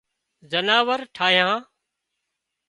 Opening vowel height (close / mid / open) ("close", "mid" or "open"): mid